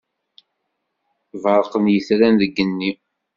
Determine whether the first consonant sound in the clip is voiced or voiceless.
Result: voiced